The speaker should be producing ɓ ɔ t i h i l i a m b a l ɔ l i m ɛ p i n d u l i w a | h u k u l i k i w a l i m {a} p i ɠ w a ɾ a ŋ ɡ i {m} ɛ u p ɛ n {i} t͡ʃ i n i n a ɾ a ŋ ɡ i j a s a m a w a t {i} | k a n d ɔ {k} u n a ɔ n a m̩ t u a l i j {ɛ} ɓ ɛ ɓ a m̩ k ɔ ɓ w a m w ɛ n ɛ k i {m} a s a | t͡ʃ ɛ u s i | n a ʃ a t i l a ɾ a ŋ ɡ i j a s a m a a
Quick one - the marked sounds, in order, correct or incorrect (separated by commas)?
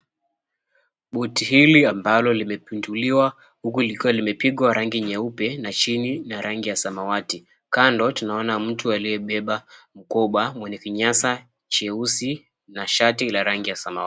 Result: incorrect, incorrect, incorrect, correct, incorrect, correct, incorrect